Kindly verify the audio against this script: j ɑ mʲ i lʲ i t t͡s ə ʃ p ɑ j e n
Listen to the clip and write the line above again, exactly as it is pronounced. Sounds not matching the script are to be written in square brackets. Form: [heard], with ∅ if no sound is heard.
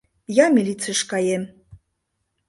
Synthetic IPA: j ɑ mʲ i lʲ i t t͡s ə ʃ [k] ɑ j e [m]